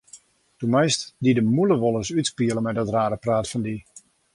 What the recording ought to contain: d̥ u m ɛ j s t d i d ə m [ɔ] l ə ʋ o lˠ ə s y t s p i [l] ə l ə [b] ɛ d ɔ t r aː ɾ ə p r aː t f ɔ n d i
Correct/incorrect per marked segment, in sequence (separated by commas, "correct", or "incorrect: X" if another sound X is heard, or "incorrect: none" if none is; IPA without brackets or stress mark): incorrect: u, incorrect: none, incorrect: m